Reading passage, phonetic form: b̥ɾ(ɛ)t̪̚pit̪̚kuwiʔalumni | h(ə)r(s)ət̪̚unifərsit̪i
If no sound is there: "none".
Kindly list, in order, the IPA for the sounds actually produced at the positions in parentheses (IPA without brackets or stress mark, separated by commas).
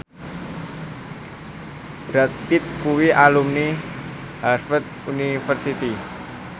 a, a, f